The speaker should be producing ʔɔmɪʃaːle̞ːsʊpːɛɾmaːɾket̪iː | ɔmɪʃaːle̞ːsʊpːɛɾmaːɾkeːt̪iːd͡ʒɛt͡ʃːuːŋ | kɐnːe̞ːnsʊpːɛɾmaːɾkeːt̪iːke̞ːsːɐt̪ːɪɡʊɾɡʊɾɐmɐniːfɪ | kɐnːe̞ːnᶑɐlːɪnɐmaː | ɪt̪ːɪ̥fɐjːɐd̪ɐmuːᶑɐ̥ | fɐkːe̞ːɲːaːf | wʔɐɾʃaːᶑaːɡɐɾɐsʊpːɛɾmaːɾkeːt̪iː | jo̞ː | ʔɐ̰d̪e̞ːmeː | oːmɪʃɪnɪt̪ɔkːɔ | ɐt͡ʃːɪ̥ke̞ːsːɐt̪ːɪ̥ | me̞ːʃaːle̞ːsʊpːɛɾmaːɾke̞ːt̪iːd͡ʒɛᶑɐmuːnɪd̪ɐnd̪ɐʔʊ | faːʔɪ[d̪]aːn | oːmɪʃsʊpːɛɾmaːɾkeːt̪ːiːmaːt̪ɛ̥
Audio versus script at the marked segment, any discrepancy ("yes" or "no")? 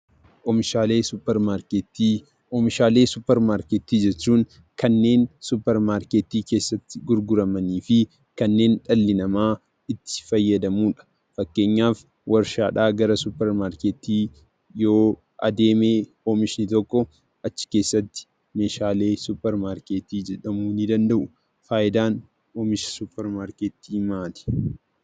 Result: no